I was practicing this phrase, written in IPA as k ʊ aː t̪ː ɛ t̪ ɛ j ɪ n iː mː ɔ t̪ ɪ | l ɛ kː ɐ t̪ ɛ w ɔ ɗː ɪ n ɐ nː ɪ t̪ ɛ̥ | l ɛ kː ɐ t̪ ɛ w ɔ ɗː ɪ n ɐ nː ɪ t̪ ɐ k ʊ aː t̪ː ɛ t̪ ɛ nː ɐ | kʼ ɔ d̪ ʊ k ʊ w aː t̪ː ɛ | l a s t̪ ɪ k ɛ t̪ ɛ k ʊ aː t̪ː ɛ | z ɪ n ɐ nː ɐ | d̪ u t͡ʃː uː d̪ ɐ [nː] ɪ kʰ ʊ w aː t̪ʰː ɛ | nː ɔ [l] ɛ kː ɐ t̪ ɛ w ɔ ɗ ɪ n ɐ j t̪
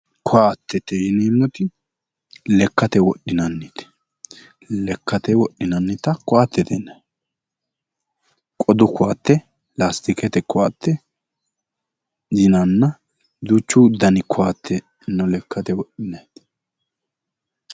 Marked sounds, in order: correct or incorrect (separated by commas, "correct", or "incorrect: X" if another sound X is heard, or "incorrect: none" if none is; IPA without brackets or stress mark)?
incorrect: n, correct